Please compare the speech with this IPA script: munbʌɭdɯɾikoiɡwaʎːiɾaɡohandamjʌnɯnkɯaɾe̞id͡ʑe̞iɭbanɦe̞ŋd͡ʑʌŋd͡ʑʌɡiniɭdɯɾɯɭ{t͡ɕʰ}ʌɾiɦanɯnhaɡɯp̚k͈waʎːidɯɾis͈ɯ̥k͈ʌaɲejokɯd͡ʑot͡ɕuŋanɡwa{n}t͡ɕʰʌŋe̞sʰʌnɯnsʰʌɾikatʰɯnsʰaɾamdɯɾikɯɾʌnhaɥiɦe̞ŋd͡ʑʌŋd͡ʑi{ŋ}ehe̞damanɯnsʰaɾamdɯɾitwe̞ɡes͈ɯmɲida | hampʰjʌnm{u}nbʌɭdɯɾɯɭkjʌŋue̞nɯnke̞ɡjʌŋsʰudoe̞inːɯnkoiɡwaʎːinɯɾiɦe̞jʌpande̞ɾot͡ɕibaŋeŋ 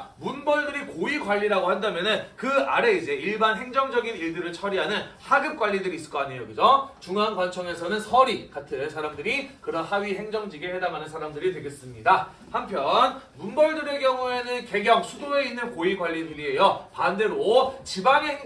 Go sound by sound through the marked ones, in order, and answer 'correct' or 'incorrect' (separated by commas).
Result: correct, correct, incorrect, correct